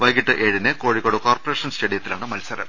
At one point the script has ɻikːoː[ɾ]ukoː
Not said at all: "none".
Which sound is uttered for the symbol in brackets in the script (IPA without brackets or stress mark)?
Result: ɽ